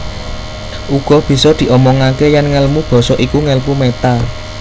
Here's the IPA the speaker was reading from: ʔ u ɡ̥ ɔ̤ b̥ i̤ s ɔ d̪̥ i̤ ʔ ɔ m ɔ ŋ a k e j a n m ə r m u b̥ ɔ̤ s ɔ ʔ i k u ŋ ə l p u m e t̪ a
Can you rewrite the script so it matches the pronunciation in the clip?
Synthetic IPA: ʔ u ɡ̥ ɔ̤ b̥ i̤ s ɔ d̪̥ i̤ ʔ ɔ m ɔ ŋ a k e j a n ŋ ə l m u b̥ ɔ̤ s ɔ ʔ i k u ŋ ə l p u m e t̪ a